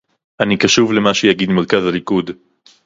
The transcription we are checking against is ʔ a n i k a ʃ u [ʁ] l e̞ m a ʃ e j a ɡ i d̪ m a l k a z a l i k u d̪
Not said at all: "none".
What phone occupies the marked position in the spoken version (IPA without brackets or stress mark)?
v